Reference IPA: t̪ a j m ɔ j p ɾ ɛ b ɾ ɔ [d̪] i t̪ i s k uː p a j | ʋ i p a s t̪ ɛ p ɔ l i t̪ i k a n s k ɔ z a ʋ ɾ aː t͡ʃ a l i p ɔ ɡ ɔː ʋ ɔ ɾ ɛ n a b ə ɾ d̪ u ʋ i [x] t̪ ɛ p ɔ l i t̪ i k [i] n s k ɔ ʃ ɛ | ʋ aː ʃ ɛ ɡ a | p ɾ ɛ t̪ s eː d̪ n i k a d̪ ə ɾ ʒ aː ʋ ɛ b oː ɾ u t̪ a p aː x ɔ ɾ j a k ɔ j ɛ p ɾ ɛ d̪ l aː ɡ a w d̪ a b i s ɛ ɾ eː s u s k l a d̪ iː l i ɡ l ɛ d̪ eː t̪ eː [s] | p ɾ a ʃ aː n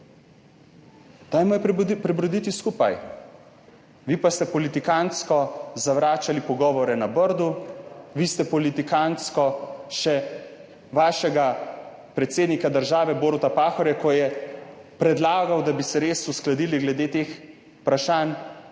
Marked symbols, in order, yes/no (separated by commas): yes, no, no, no